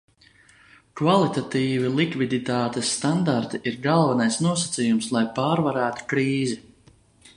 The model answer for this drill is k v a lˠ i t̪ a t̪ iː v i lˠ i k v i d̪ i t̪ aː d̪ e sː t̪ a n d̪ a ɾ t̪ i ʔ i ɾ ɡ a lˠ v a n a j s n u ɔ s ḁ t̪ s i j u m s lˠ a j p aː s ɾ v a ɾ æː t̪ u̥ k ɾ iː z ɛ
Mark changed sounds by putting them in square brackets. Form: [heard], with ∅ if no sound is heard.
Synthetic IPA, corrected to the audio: k v a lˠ i t̪ a t̪ iː v i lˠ i k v i d̪ i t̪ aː [t̪] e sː t̪ a n d̪ a ɾ t̪ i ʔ i ɾ ɡ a lˠ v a n a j s n u ɔ s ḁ t̪ s i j u m s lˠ a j p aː [∅] ɾ v a ɾ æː t̪ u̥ k ɾ iː z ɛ